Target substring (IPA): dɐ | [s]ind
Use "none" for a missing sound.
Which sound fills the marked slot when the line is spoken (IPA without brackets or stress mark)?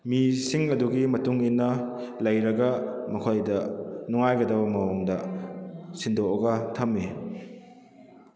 s